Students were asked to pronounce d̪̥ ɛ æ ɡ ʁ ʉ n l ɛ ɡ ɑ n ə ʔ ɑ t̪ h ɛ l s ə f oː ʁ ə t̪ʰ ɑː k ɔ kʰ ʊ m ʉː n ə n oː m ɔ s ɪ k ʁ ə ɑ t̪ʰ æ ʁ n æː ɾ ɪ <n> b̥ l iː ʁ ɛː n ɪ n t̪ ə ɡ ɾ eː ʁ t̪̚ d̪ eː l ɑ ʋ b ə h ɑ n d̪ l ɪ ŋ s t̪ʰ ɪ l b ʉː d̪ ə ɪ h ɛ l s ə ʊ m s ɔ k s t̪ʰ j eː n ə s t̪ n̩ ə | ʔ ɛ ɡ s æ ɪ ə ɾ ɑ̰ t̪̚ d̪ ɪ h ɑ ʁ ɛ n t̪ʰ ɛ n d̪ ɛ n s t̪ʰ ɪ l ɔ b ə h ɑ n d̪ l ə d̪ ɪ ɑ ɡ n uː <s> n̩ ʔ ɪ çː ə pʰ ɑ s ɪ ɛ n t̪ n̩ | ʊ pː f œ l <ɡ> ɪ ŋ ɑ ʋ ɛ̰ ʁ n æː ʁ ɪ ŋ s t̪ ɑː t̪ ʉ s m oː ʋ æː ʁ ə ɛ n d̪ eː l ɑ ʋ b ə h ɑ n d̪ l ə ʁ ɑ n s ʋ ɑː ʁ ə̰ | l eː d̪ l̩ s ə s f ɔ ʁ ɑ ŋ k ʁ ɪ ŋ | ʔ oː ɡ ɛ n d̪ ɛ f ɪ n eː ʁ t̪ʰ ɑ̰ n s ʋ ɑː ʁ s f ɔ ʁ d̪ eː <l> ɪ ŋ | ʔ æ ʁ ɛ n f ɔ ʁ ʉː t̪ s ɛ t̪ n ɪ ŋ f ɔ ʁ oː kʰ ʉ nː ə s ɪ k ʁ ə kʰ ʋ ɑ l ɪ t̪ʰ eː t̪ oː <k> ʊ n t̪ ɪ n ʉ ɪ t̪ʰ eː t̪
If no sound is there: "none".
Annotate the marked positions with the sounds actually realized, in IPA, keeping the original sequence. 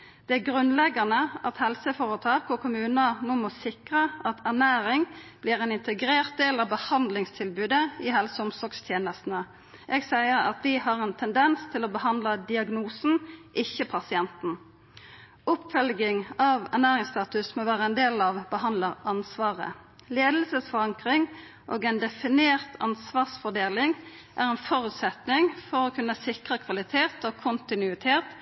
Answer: ŋ, s, ɡ, l, kʰ

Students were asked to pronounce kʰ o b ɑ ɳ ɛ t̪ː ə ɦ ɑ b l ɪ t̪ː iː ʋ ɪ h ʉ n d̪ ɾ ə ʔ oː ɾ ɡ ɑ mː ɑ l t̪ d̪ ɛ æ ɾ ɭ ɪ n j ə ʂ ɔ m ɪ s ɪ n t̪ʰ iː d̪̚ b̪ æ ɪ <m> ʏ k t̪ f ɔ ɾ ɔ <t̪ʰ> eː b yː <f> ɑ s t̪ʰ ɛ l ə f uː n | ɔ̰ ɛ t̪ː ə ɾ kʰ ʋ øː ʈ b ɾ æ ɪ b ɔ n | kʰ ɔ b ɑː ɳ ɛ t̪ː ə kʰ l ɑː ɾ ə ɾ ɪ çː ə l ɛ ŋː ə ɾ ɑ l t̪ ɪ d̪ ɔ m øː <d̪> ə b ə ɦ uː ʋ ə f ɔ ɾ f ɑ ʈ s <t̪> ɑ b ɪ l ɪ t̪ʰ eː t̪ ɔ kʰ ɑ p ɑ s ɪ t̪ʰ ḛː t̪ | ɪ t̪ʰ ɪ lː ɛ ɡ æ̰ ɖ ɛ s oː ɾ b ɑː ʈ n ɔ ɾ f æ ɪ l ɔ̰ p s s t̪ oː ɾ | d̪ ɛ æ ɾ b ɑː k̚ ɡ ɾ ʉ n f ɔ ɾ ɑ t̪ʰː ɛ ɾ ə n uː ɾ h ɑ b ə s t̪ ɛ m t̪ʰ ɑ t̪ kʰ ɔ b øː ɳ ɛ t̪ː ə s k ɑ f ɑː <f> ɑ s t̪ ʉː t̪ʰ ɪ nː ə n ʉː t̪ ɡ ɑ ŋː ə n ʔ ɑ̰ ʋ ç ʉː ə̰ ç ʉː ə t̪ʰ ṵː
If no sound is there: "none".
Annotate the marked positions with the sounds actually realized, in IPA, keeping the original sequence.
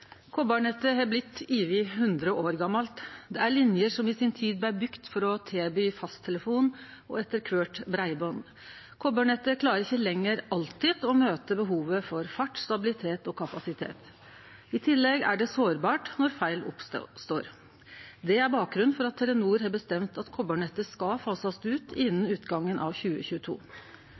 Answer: b, t̪ʰ, f, t̪, t̪, s

